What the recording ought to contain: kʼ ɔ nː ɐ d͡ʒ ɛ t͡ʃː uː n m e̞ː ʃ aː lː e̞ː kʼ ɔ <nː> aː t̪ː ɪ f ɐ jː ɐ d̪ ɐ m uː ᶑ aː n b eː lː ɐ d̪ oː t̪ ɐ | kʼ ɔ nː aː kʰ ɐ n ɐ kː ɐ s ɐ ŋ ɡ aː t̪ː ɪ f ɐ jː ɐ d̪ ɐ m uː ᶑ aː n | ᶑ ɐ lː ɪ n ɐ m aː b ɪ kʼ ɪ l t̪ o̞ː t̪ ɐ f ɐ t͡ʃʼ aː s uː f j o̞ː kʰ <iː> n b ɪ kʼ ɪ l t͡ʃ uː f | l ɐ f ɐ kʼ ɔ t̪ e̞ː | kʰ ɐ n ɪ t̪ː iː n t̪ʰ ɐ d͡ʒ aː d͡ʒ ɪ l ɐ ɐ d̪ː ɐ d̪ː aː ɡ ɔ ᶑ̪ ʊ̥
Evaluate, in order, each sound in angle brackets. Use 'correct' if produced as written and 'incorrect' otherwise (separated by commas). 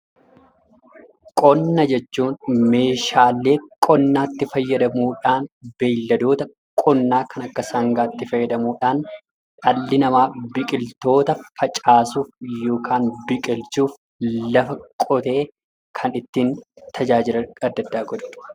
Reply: correct, incorrect